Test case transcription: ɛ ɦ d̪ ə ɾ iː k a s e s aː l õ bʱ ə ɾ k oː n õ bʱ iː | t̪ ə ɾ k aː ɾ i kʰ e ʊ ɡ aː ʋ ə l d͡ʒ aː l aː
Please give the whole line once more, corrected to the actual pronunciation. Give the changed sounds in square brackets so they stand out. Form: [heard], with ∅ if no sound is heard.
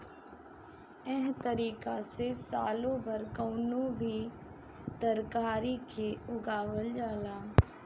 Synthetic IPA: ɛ ɦ [t̪] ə ɾ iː k a s e s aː l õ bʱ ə ɾ k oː n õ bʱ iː | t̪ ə ɾ k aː ɾ i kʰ e ʊ ɡ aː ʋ ə l d͡ʒ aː l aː